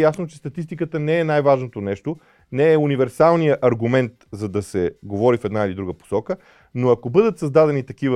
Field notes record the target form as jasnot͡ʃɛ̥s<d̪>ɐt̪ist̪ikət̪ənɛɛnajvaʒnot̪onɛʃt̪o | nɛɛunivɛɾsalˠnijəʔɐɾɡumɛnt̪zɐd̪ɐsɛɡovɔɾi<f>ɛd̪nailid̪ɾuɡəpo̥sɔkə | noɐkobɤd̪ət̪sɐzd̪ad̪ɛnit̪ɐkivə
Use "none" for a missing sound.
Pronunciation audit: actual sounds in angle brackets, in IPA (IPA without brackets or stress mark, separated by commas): t̪, f